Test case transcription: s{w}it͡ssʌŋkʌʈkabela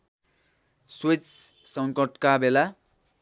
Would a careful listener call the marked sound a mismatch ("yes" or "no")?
no